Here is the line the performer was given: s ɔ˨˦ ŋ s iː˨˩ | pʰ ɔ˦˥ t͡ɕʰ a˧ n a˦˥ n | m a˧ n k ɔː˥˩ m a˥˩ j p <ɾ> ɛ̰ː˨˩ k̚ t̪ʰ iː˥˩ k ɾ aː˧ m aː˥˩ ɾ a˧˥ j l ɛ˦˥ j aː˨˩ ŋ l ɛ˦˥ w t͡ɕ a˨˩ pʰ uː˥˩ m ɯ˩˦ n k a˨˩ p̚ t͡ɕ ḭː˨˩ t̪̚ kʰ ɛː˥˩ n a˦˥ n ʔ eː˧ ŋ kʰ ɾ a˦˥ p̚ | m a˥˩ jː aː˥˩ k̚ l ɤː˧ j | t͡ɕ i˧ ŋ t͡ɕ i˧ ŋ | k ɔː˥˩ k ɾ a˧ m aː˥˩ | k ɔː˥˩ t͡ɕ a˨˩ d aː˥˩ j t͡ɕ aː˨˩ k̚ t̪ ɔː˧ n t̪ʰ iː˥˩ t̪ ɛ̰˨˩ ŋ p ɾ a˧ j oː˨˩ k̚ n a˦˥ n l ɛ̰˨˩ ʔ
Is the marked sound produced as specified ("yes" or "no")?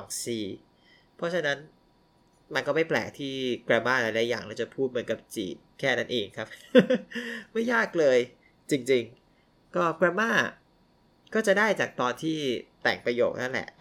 no